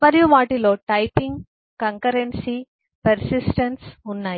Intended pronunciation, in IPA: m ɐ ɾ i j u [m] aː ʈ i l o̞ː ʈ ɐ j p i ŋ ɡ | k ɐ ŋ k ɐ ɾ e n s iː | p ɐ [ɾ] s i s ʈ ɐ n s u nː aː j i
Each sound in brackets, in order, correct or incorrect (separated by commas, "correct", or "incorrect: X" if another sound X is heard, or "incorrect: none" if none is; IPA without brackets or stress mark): correct, correct